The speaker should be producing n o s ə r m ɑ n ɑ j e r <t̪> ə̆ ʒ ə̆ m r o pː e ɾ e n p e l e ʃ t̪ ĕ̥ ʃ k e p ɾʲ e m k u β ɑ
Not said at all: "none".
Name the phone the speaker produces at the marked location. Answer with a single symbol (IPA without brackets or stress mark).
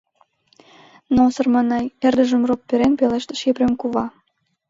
d̪